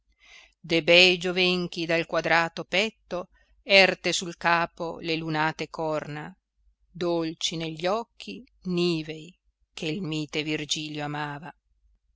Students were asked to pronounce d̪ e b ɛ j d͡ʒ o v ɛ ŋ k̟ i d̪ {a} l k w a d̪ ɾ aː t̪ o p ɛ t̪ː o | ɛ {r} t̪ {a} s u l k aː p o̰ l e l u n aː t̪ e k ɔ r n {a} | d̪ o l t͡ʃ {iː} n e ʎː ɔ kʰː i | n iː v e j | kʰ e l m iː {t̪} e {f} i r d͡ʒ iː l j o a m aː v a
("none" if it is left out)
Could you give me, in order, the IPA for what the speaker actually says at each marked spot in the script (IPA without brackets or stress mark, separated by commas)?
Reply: a, r, e, a, i, t̪, v